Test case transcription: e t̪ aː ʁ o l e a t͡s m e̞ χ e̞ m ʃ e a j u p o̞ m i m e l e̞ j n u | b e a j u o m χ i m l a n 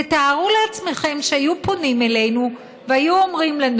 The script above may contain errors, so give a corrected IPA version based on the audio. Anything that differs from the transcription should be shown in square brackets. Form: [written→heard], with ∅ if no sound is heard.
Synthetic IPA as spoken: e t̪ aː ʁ [o→u] l e a t͡s m e̞ χ e̞ m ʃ e a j u p o̞ [m→n] i m e l e̞ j n u | [b→v] e a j u o m [χ→ʁ] i m l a n